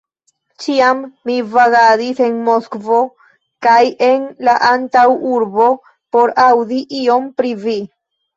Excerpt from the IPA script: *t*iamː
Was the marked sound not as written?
yes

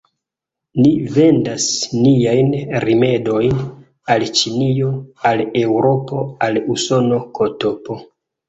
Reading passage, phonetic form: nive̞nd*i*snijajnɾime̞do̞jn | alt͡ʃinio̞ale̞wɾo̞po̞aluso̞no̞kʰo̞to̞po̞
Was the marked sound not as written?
yes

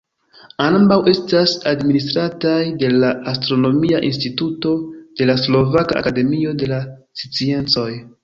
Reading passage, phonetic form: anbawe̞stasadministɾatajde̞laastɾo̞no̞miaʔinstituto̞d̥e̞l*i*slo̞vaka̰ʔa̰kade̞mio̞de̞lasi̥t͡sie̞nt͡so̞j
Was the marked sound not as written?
yes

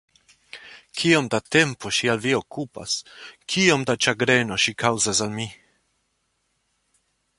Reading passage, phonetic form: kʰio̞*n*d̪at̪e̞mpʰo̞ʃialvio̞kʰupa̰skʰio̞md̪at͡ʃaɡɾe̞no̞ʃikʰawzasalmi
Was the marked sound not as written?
yes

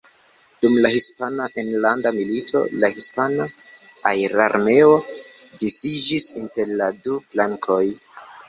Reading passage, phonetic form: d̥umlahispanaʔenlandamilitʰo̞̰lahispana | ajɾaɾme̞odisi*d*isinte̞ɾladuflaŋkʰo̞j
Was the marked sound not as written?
yes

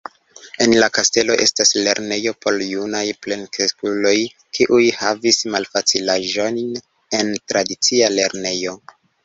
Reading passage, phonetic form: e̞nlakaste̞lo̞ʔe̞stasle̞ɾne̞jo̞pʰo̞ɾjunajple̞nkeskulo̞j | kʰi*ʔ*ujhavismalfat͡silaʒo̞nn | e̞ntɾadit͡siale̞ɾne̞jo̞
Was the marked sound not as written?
no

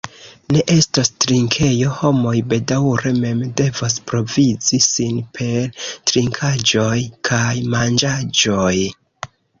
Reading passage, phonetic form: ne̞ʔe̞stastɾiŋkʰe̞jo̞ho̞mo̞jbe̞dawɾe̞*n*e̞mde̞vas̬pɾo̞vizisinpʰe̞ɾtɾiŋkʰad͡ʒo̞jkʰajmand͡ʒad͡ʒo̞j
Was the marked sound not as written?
yes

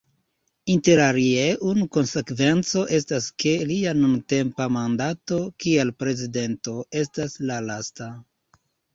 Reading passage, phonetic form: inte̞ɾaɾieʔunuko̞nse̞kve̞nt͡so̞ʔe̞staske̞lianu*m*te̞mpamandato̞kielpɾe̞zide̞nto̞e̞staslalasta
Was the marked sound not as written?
yes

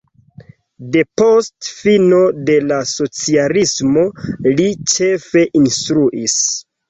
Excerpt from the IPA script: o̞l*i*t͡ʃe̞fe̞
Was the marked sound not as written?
no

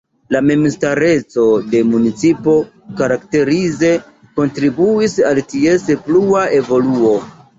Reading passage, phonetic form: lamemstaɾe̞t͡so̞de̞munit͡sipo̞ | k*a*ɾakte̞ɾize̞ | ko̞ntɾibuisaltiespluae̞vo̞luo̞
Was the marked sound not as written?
no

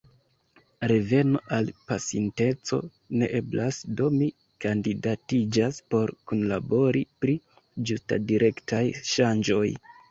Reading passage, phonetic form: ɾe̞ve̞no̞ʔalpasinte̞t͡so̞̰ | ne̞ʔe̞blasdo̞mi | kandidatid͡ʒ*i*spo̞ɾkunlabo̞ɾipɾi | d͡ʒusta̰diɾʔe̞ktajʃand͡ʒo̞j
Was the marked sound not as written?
yes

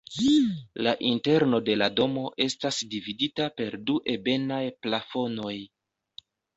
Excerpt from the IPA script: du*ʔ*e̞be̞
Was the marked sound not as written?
no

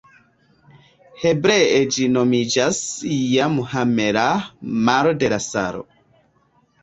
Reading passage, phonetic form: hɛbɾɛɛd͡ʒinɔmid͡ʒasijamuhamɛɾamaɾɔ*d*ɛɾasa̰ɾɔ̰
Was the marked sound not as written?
no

